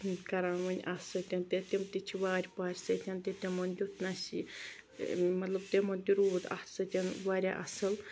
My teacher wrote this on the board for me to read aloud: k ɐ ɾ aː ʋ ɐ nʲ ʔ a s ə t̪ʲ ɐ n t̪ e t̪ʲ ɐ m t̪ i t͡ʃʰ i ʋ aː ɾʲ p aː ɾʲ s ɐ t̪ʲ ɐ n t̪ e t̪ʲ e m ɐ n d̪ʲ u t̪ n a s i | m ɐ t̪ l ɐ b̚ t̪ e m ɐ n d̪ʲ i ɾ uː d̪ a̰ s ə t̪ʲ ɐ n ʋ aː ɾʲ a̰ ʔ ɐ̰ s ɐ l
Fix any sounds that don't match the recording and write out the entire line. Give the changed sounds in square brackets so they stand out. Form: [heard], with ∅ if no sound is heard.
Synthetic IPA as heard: k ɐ ɾ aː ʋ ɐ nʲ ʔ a s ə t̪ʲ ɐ n t̪ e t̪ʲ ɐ m t̪ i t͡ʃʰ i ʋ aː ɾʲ p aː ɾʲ s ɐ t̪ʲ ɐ n t̪ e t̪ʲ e m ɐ n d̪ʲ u t̪ n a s i | m ɐ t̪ l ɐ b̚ t̪ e m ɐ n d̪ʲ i ɾ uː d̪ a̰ s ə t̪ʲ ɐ n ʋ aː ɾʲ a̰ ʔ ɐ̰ s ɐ l